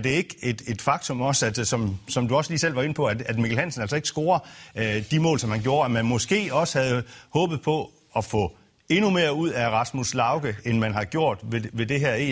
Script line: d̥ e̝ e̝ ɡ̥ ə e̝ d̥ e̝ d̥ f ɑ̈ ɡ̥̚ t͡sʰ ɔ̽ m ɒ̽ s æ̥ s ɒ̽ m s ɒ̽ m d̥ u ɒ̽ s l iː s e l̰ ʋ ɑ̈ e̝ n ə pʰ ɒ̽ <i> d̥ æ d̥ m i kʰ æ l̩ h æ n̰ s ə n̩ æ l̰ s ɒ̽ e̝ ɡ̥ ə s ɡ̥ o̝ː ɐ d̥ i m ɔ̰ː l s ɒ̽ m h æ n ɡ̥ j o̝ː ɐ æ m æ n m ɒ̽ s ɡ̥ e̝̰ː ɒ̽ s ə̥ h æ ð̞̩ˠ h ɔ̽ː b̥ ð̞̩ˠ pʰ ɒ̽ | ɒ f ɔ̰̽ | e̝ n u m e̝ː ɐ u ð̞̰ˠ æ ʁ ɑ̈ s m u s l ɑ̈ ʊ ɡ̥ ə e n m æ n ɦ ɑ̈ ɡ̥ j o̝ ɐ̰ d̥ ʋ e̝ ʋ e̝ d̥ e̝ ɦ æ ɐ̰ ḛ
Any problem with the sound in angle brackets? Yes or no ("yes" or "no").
yes